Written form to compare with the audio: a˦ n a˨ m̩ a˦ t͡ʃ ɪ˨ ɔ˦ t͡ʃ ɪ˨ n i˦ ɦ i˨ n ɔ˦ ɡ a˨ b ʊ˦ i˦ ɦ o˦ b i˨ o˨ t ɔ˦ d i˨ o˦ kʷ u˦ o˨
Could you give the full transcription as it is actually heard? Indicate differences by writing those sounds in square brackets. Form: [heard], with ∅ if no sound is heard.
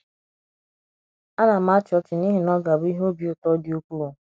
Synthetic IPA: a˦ n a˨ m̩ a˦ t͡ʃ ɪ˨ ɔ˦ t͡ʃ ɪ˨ n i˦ ɦ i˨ n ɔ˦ ɡ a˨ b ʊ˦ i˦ ɦ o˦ b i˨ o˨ t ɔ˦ d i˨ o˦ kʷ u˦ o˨